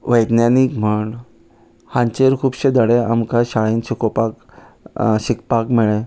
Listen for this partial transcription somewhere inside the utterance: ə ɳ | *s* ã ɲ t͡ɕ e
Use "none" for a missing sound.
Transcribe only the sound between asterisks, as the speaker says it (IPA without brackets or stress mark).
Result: h